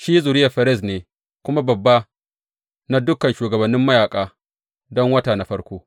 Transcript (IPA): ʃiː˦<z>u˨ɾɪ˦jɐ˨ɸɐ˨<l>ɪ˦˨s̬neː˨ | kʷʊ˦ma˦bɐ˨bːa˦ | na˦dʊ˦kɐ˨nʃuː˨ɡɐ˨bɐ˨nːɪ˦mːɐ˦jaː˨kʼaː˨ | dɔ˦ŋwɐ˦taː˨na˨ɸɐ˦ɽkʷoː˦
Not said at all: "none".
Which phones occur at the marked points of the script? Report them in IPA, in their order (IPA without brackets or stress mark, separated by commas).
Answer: z, ɾ